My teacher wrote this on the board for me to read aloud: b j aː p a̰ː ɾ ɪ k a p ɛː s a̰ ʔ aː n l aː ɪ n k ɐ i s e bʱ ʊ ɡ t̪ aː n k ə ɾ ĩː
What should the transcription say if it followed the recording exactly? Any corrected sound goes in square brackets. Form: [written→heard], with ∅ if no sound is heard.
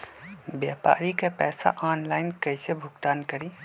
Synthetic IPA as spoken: b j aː p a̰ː ɾ [ɪ→i] k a p ɛː s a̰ ʔ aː n l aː ɪ n k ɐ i s e bʱ ʊ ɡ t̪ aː n k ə ɾ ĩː